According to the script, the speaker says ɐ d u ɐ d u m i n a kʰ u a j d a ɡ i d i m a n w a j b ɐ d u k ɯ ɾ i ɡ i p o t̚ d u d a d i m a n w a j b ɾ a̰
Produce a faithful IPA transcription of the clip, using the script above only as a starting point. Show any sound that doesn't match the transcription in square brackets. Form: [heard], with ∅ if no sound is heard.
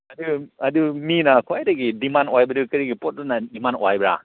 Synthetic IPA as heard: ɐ d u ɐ d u m i n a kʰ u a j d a ɡ i d i m a n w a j b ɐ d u k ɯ ɾ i ɡ i p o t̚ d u [n] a d i m a n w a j b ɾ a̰